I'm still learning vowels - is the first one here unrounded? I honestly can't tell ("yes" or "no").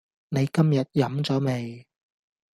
yes